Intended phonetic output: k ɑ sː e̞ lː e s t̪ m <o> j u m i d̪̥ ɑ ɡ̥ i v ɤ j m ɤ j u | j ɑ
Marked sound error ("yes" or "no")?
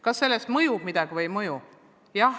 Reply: yes